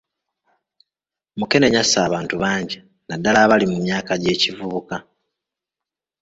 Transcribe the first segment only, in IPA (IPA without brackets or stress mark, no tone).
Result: m